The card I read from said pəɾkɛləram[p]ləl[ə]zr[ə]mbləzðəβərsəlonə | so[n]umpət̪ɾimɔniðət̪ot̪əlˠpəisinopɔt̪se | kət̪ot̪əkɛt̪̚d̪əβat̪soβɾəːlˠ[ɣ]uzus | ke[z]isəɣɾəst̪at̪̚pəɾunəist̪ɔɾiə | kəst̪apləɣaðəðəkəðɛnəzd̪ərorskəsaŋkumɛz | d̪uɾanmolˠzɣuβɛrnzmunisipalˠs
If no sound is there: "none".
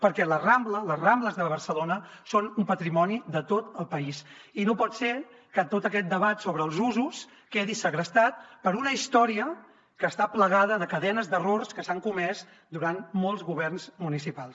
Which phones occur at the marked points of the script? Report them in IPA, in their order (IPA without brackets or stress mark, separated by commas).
b, ə, a, n, z, ð